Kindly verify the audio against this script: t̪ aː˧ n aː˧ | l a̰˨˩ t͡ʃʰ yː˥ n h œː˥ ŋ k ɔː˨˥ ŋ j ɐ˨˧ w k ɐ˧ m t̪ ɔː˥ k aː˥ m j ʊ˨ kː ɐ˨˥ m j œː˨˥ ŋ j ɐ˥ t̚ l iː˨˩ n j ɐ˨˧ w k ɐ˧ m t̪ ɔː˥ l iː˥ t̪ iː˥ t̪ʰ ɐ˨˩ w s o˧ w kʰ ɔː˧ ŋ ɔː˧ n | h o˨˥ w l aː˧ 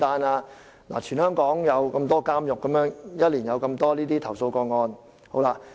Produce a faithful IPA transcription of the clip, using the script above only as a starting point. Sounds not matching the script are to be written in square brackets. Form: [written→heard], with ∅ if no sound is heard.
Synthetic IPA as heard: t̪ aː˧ n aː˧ | l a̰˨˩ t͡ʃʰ [yː˥→yː˨˩] n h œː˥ ŋ k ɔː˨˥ ŋ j ɐ˨˧ w k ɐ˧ m t̪ ɔː˥ k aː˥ m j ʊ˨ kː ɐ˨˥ m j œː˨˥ ŋ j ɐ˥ t̚ l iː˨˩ n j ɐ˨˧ w k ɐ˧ m t̪ ɔː˥ l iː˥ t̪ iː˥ t̪ʰ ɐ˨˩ w s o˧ w [kʰ→k] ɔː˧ ŋ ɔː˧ n | h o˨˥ w l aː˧

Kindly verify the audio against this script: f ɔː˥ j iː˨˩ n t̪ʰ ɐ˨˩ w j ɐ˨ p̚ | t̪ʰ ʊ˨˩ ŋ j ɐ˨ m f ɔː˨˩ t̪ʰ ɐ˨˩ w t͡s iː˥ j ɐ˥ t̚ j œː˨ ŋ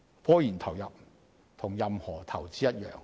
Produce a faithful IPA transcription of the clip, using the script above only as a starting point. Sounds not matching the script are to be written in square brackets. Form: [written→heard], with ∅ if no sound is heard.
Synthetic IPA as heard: f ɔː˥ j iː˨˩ n t̪ʰ ɐ˨˩ w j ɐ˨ p̚ | t̪ʰ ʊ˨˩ ŋ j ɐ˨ m [f→h] ɔː˨˩ t̪ʰ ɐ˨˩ w t͡s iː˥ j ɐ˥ t̚ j œː˨ ŋ

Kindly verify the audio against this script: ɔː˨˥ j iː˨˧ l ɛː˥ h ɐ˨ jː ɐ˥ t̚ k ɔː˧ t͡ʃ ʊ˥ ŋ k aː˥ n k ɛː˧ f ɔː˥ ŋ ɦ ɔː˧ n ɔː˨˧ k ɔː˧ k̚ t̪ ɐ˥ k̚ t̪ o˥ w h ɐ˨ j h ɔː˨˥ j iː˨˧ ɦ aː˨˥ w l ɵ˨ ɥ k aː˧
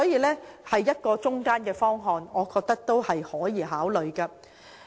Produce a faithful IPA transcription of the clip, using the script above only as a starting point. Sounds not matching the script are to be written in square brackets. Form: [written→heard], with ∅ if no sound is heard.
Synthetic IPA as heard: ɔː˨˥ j iː˨˧ l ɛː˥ h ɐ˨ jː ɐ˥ t̚ k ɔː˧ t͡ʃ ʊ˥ ŋ k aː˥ n k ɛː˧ f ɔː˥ ŋ ɦ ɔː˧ n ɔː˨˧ k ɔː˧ k̚ t̪ ɐ˥ k̚ t̪ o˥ w h ɐ˨ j h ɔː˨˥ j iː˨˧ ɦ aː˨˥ w l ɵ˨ ɥ k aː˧

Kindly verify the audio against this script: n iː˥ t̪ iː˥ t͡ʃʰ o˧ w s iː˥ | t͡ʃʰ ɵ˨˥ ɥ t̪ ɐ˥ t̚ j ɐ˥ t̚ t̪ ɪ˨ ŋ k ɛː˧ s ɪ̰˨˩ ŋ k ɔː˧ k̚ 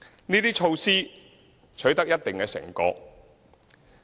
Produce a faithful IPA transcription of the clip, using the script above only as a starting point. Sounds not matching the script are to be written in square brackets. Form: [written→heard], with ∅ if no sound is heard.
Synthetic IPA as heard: n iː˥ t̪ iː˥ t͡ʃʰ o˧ w s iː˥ | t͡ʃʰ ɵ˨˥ ɥ t̪ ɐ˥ [t̚→k̚] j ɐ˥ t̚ t̪ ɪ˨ ŋ k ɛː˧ s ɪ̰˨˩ ŋ k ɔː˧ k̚

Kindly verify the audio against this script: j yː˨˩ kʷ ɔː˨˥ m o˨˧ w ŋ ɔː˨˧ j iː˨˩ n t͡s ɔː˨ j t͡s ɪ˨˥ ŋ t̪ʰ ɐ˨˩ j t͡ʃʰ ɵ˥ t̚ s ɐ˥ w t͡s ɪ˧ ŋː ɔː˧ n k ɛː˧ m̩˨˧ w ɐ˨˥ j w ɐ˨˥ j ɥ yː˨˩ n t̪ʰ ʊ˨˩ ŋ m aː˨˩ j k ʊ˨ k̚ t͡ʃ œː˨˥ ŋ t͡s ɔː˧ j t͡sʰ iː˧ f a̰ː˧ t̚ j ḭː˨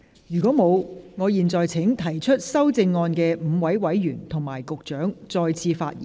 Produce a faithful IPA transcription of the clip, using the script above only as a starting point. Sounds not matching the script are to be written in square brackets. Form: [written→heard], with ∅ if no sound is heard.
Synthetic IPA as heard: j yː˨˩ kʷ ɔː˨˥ m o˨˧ w ŋ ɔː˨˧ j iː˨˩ n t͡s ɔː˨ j [t͡s→t͡sʰ] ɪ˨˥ ŋ t̪ʰ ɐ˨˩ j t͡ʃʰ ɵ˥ t̚ s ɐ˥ w t͡s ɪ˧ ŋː ɔː˧ n k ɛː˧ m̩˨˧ w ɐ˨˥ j w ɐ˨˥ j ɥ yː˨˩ n t̪ʰ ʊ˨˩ ŋ m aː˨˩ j k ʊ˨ k̚ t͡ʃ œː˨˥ ŋ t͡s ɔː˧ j t͡sʰ iː˧ f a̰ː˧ t̚ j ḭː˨

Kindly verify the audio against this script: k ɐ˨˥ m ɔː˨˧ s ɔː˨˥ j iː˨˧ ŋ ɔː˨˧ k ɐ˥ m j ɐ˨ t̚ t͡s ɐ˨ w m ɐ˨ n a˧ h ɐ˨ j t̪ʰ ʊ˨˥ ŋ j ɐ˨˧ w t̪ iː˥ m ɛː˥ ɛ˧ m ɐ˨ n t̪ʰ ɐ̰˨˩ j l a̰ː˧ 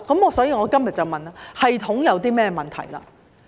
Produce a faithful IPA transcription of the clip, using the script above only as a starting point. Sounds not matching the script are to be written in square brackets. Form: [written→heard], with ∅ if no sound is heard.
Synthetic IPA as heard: k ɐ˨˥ m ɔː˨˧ s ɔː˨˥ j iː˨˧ ŋ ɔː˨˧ k ɐ˥ m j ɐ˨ t̚ t͡s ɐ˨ w m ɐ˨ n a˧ h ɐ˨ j t̪ʰ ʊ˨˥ ŋ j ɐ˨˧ w t̪ iː˥ m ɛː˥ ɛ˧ m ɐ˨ n t̪ʰ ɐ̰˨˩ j l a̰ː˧

